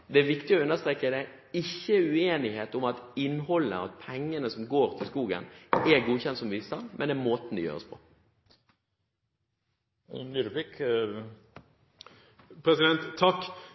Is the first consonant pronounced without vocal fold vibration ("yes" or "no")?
no